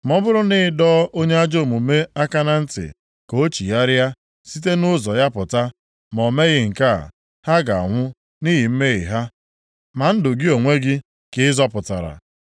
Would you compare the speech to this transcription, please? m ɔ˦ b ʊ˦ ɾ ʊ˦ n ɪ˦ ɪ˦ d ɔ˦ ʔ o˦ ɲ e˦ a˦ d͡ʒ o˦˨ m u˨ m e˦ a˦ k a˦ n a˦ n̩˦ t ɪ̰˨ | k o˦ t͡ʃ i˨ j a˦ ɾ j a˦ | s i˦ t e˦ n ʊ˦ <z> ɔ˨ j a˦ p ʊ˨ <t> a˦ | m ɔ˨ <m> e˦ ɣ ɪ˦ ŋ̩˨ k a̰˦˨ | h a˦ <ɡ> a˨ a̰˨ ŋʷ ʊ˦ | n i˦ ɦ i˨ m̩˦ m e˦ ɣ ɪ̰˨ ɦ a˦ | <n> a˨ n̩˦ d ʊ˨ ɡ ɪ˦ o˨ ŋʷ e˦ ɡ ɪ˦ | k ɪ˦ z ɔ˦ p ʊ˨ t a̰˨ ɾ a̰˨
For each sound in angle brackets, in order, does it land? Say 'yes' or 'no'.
yes, yes, yes, yes, no

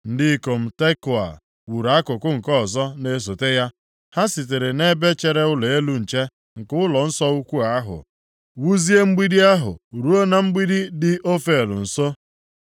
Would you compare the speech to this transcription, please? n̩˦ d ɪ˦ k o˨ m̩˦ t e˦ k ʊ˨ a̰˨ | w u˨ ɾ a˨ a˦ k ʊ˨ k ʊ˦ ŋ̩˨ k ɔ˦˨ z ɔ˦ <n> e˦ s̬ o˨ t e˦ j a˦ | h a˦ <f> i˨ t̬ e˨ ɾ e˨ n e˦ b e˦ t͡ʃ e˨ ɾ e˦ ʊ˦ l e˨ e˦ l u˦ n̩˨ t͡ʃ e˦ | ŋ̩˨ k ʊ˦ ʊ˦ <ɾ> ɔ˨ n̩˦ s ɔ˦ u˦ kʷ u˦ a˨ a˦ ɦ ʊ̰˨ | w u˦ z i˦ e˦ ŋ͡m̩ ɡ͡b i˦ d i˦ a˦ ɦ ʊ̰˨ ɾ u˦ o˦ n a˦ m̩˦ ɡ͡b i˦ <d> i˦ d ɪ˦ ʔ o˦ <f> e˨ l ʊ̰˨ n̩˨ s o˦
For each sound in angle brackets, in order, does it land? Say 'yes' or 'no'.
yes, no, no, yes, yes

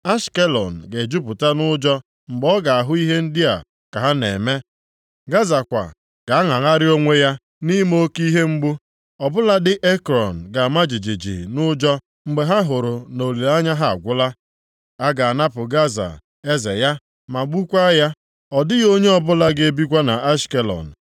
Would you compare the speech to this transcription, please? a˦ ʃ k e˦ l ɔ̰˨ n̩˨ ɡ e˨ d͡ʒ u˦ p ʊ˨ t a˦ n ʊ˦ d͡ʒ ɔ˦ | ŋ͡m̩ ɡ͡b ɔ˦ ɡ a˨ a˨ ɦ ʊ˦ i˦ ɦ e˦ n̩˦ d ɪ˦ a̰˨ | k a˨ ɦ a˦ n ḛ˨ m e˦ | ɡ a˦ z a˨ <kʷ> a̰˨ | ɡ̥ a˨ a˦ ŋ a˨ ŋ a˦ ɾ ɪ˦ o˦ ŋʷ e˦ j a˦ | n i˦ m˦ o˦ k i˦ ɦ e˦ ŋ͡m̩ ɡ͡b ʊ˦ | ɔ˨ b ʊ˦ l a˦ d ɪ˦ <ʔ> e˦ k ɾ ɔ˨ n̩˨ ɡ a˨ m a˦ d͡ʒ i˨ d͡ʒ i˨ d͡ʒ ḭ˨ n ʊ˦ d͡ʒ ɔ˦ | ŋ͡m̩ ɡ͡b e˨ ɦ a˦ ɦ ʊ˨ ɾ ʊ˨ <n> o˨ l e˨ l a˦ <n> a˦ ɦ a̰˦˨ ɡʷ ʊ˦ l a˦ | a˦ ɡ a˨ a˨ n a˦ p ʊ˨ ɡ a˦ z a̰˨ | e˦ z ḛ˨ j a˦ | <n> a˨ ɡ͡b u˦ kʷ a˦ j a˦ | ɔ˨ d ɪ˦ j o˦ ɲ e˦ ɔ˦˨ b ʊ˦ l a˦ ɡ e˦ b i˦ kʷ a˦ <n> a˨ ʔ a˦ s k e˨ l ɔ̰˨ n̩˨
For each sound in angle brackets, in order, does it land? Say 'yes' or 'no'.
yes, yes, yes, no, no, yes

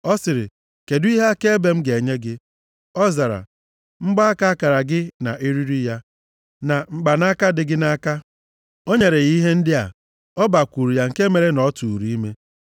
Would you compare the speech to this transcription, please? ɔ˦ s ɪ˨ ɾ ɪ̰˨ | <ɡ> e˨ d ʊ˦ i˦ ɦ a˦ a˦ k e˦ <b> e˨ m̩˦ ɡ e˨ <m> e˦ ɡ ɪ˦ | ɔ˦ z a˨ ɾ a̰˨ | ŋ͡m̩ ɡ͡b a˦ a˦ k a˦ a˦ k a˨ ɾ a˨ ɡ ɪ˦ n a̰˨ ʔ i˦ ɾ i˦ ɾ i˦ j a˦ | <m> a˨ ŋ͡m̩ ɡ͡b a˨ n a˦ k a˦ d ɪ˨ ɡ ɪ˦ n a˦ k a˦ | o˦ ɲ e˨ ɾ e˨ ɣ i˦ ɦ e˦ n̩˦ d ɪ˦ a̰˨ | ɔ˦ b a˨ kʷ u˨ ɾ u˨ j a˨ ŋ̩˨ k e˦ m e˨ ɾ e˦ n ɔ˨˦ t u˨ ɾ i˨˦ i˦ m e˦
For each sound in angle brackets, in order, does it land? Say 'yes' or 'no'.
no, yes, no, no

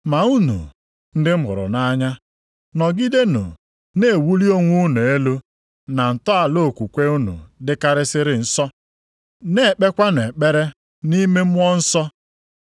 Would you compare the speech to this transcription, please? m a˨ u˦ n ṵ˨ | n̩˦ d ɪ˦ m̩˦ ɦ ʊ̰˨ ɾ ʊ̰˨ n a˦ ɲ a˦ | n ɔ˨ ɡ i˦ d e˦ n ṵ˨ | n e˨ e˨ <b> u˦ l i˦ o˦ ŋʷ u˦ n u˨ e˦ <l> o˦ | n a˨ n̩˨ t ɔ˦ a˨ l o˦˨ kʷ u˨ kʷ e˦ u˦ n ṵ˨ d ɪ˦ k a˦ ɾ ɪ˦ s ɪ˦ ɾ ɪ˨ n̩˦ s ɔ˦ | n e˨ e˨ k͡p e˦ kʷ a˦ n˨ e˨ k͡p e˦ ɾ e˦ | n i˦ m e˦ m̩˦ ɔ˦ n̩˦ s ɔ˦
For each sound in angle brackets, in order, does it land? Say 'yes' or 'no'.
no, yes

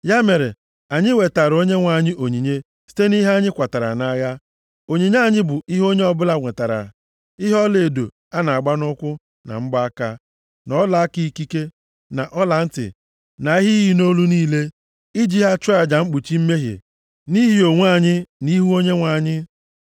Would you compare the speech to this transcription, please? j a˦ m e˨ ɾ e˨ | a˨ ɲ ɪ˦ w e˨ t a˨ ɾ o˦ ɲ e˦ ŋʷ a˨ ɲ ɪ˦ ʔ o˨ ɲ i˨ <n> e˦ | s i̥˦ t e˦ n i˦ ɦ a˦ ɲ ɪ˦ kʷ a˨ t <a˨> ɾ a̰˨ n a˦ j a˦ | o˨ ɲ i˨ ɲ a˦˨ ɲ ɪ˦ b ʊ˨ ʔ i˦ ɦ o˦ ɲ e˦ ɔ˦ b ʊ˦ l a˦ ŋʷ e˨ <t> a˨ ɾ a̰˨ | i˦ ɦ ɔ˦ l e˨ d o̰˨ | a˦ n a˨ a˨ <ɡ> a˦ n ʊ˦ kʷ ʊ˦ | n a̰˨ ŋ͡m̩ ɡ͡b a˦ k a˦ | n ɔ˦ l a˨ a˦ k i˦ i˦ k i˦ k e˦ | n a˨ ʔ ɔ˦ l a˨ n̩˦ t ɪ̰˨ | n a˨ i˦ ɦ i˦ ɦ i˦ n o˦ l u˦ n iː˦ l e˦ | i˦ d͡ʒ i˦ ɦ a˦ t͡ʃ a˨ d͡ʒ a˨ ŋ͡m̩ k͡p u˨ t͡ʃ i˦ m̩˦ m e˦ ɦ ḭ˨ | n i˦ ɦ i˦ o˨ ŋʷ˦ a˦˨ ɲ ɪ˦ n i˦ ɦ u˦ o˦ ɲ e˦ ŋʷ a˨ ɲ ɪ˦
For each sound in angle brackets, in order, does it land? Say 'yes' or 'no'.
no, yes, yes, no

